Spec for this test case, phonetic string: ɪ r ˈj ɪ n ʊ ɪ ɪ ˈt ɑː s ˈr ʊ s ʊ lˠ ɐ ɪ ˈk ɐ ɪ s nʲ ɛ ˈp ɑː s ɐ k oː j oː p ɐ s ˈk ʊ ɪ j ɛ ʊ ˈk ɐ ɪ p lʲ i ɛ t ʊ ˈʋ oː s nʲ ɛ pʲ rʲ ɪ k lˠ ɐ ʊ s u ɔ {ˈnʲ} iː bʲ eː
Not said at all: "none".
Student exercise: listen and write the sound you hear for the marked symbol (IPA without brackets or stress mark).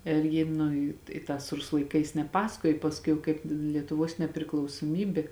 mʲ